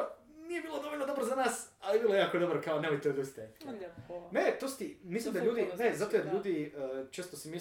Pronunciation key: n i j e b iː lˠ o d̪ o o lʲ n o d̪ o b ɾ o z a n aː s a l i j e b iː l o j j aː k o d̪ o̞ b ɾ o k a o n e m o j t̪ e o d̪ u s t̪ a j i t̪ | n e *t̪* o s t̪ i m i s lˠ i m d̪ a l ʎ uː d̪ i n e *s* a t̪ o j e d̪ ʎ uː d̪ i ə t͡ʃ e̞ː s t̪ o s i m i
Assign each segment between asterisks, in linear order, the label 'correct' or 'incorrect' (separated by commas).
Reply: correct, incorrect